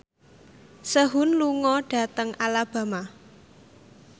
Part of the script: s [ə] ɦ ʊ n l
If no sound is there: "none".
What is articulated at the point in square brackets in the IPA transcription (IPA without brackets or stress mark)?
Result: ə